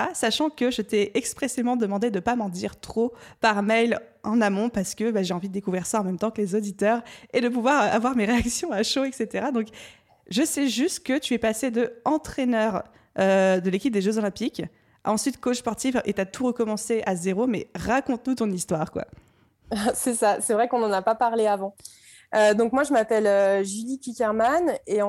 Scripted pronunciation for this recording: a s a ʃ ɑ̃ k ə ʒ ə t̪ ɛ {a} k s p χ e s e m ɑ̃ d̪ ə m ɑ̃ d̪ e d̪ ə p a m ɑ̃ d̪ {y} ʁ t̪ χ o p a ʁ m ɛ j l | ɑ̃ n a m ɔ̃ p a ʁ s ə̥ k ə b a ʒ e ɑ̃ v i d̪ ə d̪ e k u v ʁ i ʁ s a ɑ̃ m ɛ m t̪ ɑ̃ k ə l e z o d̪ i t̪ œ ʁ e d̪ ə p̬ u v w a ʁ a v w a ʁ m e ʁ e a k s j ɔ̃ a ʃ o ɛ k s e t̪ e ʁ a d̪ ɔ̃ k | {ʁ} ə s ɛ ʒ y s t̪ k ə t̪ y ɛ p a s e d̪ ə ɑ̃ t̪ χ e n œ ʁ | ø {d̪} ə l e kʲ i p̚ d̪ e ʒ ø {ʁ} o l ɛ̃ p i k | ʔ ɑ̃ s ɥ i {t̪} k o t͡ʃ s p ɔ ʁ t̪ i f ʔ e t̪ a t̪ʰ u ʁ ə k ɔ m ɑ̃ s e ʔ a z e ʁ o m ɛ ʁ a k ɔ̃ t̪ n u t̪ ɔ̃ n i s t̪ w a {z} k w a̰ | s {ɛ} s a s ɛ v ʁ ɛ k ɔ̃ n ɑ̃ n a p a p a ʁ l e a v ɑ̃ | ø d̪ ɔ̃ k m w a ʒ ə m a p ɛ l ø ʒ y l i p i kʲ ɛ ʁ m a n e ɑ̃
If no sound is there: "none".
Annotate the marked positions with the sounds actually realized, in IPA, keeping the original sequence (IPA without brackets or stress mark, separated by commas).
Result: ɛ, i, ʒ, d̪, z, t̪, ʁ, ɛ